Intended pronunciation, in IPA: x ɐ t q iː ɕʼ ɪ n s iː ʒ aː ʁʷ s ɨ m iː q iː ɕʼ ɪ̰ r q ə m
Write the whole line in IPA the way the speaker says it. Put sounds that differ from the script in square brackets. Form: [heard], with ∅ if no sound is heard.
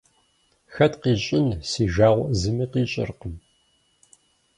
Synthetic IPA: x ɐ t q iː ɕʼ ɪ n s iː ʒ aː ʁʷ [z] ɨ m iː q iː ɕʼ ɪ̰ r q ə m